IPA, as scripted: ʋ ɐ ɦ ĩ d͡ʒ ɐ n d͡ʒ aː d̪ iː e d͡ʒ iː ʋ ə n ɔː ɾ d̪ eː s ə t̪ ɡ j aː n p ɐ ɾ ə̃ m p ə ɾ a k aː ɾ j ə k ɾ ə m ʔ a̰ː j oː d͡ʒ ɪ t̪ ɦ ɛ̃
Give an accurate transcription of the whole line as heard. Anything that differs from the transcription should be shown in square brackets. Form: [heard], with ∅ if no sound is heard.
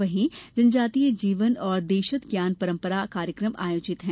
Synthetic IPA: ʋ ɐ ɦ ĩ d͡ʒ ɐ n d͡ʒ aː [t̪] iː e d͡ʒ iː ʋ ə n ɔː ɾ d̪ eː [ʃ] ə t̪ ɡ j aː n p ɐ ɾ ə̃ m p ə ɾ a k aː ɾ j ə k ɾ ə m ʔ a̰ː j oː d͡ʒ ɪ t̪ ɦ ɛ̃

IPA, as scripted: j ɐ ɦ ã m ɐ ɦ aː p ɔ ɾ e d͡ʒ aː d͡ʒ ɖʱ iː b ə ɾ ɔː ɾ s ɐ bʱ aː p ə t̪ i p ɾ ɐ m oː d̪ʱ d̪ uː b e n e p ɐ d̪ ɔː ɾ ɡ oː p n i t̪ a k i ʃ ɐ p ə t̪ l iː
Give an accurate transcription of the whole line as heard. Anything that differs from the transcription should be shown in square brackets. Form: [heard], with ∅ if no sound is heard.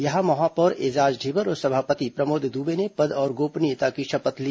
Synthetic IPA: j ɐ ɦ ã m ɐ ɦ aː p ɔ ɾ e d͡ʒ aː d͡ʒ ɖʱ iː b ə ɾ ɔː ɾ s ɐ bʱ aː p ə t̪ i p ɾ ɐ m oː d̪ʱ d̪ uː b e n e p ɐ d̪ ɔː ɾ ɡ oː p n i t̪ a k i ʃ ɐ p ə t̪ l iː

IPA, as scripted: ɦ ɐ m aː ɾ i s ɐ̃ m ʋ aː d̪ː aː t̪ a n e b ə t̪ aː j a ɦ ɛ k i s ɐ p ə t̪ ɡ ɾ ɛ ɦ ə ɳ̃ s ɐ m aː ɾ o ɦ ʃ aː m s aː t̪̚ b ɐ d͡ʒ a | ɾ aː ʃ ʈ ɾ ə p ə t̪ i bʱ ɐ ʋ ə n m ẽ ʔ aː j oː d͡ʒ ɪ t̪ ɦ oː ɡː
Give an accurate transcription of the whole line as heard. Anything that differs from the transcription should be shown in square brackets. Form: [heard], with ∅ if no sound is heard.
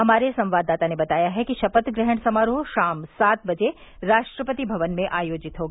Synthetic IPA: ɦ ɐ m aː ɾ [e] s ɐ̃ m ʋ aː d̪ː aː t̪ a n e b [ɐ] t̪ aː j a ɦ ɛ k i [ʃ] ɐ p ə t̪ ɡ ɾ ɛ ɦ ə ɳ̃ s ɐ m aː ɾ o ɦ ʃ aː m s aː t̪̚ b ɐ d͡ʒ [e] | ɾ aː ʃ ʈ ɾ ə p ə t̪ i bʱ ɐ ʋ ə n m ẽ ʔ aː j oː d͡ʒ ɪ t̪ ɦ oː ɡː

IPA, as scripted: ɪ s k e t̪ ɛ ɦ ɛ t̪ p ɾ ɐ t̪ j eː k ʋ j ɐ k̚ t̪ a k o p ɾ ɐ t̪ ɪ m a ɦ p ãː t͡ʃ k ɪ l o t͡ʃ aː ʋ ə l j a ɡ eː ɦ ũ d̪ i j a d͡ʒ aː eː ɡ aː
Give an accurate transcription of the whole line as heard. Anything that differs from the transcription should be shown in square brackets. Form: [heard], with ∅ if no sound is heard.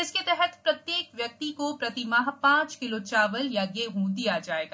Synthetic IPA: ɪ s k e t̪ ɛ ɦ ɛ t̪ p ɾ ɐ t̪ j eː k ʋ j ɐ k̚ t̪ [i] k o p ɾ ɐ t̪ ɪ m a ɦ p ãː t͡ʃ k ɪ l o t͡ʃ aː ʋ ə l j a ɡ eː ɦ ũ d̪ i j a d͡ʒ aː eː ɡ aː

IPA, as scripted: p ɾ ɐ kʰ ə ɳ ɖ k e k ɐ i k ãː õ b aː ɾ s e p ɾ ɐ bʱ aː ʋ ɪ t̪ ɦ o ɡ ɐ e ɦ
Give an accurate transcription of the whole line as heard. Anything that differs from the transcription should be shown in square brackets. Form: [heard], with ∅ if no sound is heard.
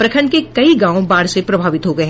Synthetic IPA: p ɾ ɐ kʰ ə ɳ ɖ k e k ɐ i [ɡ] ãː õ b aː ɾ s e p ɾ ɐ bʱ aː ʋ ɪ t̪ ɦ o ɡ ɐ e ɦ

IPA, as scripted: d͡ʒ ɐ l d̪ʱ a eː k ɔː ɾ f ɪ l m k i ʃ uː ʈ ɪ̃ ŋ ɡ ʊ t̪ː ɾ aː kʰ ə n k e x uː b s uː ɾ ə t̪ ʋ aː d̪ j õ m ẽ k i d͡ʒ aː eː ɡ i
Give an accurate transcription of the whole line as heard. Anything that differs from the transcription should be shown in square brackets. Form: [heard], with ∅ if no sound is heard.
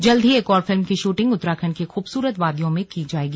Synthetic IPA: d͡ʒ ɐ l d̪ʱ [i] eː k ɔː ɾ f ɪ l m k i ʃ uː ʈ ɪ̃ ŋ ɡ ʊ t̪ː ɾ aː kʰ ə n k e x uː b s uː ɾ ə t̪ ʋ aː d̪ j õ m ẽ k i d͡ʒ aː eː ɡ i

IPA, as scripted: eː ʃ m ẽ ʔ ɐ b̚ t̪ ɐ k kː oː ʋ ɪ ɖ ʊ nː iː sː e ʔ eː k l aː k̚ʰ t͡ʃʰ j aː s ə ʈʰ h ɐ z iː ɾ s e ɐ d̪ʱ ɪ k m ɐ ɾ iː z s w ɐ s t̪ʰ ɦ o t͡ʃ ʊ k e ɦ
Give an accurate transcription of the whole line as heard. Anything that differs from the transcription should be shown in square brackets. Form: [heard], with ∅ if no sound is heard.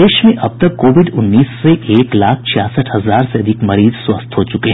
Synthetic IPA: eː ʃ m ẽ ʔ ɐ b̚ t̪ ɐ k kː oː ʋ ɪ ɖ ʊ nː iː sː e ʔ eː k l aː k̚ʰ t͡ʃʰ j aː s ə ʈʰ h ɐ z [aː] ɾ s e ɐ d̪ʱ ɪ k m ɐ ɾ iː z s w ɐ s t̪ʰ ɦ o t͡ʃ ʊ k e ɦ

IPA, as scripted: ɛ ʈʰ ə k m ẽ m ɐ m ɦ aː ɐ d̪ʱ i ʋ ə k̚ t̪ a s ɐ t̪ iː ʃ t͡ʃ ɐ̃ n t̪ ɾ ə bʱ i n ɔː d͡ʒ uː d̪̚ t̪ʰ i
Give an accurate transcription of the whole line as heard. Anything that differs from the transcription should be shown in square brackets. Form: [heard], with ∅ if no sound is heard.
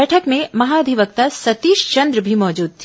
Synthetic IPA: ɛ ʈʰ ə k m ẽ m ɐ [∅] ɦ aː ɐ d̪ʱ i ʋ ə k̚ t̪ a s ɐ t̪ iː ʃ t͡ʃ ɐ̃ n [d̪] ɾ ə bʱ i [m] ɔː d͡ʒ uː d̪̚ t̪ʰ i

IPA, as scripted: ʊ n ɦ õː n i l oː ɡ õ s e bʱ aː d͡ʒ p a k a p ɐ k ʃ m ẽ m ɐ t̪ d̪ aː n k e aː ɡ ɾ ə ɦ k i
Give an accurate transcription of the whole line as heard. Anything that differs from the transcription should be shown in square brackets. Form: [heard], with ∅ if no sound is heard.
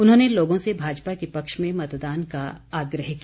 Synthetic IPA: ʊ n ɦ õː n [e] l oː ɡ õ s e bʱ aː d͡ʒ p a k [e] p ɐ k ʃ m ẽ m ɐ t̪ d̪ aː n k [a] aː ɡ ɾ ə ɦ k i

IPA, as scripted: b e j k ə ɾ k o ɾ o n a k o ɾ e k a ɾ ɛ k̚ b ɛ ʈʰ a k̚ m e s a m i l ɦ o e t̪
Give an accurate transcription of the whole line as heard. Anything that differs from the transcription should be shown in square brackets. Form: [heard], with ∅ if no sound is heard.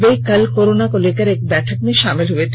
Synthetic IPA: b e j k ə [l] k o ɾ o n a k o [l] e k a ɾ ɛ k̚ b ɛ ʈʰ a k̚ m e [ʃ] a m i l ɦ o e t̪

